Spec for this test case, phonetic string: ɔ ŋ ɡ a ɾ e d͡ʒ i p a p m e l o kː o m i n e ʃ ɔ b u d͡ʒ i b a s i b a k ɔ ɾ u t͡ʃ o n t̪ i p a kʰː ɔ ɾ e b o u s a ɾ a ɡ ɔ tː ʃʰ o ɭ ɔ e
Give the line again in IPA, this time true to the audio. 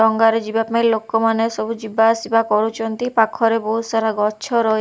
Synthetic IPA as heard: ɔ ŋ ɡ a ɾ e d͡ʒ i b a p m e l o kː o m a n e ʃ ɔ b u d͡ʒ i b a s i b a k ɔ ɾ u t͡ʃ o n t̪ i p a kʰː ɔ ɾ e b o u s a ɾ a ɡ ɔ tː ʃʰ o ɾ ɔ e